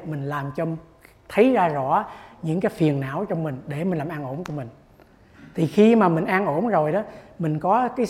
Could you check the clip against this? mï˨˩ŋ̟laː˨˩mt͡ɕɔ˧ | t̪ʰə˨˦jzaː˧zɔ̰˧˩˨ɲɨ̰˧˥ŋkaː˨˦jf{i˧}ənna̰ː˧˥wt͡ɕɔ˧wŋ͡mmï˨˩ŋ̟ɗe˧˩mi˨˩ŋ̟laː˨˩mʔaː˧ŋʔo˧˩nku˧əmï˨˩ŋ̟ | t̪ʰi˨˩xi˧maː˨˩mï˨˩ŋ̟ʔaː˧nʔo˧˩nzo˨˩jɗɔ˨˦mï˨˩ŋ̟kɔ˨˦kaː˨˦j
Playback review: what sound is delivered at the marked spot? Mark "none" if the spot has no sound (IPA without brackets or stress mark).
i˨˩